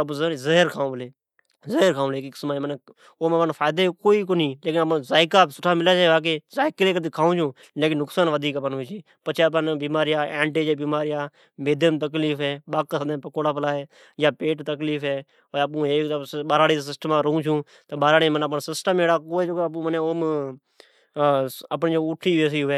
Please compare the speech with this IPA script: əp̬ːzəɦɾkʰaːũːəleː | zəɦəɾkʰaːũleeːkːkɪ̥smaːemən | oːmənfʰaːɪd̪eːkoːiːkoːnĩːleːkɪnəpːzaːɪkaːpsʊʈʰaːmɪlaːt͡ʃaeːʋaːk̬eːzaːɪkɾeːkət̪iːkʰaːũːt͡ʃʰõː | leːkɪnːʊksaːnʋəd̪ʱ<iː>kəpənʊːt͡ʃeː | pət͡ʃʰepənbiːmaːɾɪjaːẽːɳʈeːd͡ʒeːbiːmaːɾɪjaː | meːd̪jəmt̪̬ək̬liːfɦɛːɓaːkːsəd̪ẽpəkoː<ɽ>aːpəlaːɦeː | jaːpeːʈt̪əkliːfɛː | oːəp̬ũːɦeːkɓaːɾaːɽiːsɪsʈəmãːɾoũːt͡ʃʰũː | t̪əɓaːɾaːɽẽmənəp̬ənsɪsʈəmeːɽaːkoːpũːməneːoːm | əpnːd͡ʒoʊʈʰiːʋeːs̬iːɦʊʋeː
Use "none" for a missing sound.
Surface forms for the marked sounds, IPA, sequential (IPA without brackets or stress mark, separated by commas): iː, ɽ